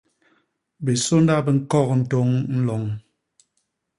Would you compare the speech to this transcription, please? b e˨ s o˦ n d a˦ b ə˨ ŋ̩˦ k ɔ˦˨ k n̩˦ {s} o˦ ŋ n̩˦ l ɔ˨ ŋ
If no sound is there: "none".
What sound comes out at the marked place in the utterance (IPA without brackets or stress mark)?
t